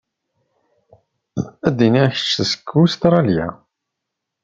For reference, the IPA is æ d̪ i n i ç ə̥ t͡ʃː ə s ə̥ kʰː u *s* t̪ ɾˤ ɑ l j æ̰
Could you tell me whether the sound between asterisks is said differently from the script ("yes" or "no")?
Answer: no